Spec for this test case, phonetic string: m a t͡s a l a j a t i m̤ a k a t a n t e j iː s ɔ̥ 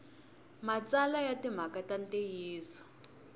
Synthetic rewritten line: m a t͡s a l a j a t i m̤ a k a t a n t e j iː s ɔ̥